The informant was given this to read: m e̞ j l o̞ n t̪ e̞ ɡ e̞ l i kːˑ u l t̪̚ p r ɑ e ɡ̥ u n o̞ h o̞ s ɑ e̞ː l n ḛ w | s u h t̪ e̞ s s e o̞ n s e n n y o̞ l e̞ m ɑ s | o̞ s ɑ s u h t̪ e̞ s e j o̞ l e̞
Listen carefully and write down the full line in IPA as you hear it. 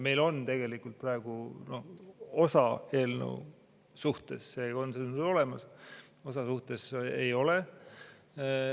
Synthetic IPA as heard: m e̞ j l o̞ n t̪ e̞ ɡ e̞ l i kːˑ u l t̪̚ p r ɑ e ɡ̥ u n o̞ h o̞ s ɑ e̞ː l n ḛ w | s u h t̪ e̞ s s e o̞ n s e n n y o̞ l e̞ m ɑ s | o̞ s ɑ s u h t̪ e̞ s e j o̞ l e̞